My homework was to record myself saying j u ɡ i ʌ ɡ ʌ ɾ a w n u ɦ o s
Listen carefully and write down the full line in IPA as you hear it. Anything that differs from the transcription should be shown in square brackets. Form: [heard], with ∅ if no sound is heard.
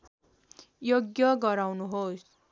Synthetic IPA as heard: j [o] ɡ [j] ʌ ɡ ʌ ɾ a w n u ɦ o s